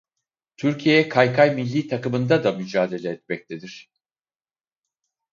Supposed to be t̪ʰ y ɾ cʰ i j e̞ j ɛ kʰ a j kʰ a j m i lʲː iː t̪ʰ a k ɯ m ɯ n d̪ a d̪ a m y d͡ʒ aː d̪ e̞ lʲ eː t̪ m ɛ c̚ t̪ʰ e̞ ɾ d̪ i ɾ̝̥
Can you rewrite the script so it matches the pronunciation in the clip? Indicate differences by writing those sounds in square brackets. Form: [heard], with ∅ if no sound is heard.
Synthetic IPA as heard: t̪ʰ y ɾ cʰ i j e̞ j ɛ kʰ a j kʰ a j m i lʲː iː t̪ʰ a k ɯ m ɯ n d̪ a d̪ a m y d͡ʒ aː d̪ e̞ lʲ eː t̪ m ɛ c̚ t̪ʰ e̞ [∅] d̪ i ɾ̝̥

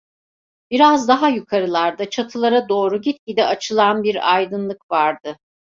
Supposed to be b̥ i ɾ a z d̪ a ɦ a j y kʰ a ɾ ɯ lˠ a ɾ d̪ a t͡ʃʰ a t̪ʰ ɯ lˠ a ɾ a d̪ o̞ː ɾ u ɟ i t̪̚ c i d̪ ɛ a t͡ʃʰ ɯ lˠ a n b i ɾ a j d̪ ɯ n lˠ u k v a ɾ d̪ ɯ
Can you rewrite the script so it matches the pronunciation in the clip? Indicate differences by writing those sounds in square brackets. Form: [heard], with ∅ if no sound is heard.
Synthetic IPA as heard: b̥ i ɾ a z d̪ a ɦ a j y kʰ a ɾ ɯ lˠ a ɾ d̪ a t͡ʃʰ a t̪ʰ ɯ lˠ a ɾ a d̪ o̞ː ɾ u ɟ i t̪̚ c i d̪ ɛ a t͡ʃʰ ɯ lˠ a n b i ɾ a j d̪ ɯ n lˠ [ɯ] k v a ɾ d̪ ɯ

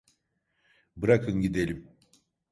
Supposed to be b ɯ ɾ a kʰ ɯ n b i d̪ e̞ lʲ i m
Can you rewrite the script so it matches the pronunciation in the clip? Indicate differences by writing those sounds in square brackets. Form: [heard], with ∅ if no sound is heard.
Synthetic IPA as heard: b ɯ ɾ a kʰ ɯ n [ɟ] i d̪ e̞ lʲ i m

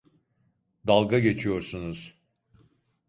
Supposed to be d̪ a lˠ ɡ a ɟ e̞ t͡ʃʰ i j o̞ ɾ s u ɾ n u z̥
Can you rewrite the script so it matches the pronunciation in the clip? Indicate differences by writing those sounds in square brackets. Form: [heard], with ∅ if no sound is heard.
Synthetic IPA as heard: d̪ a lˠ ɡ a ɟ e̞ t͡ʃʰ i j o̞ ɾ s u [∅] n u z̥

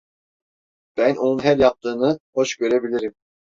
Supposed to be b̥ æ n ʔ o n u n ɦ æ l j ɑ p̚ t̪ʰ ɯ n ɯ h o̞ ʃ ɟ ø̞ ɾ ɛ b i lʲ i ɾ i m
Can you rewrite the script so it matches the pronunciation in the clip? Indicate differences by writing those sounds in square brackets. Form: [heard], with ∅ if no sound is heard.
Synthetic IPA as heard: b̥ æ n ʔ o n u n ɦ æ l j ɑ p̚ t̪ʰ [ɯː] n ɯ h o̞ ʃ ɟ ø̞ ɾ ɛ b i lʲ i ɾ i m

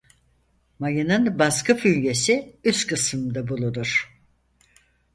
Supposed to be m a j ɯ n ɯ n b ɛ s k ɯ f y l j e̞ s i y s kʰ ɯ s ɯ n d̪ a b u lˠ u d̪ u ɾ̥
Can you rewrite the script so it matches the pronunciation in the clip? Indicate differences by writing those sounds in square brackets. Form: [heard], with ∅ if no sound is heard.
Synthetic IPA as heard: m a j ɯ n ɯ n b [a] s k ɯ f y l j e̞ s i y s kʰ ɯ s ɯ [m] d̪ a b u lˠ u d̪ u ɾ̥

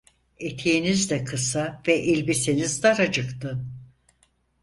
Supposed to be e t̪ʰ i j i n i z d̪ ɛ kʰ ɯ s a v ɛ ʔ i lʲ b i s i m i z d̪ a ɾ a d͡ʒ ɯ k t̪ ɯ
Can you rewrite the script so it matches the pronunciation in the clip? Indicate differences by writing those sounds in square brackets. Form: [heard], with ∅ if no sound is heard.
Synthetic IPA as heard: e t̪ʰ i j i n i z d̪ ɛ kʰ ɯ s a v ɛ ʔ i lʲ b i s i [n] i z d̪ a ɾ a d͡ʒ ɯ k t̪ ɯ

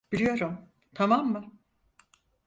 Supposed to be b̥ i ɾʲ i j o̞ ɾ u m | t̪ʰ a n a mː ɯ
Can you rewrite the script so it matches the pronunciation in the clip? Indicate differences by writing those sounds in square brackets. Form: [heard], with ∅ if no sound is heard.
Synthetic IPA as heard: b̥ i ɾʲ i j o̞ ɾ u m | t̪ʰ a [m] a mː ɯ

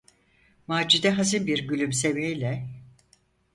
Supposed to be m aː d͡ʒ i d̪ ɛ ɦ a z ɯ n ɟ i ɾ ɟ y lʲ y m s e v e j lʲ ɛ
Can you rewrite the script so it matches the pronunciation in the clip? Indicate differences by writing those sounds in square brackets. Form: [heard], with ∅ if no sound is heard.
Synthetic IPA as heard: m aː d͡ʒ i d̪ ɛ ɦ a z ɯ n [b] i ɾ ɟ y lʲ y m s e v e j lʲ ɛ

